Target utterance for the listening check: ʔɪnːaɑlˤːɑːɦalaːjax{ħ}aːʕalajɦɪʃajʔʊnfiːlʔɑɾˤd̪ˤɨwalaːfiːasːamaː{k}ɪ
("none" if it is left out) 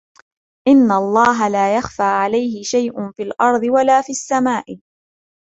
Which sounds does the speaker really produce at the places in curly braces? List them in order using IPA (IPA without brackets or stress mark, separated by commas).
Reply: f, ʔ